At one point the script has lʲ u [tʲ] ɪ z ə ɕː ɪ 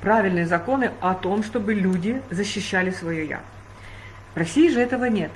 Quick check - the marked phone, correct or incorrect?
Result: incorrect